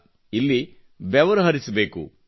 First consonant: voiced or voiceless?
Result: voiced